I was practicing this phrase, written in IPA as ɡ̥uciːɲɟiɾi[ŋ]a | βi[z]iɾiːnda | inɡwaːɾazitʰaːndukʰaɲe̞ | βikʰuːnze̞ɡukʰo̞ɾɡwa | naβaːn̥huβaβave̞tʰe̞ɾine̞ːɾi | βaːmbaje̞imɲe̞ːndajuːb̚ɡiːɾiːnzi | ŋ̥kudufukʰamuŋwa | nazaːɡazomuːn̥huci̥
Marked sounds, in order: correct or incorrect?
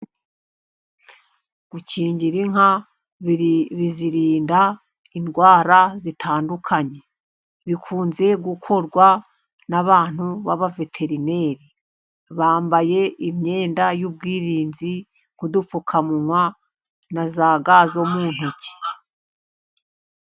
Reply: correct, correct

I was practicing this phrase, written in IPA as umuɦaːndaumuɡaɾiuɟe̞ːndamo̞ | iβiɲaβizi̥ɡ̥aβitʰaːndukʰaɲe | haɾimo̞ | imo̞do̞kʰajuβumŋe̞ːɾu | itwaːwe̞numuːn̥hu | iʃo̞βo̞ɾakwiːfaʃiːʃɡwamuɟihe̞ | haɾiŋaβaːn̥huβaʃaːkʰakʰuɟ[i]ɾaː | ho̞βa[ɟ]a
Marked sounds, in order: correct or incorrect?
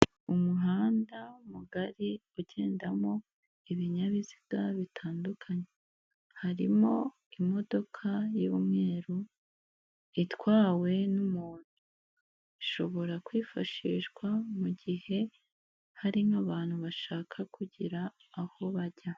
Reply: correct, correct

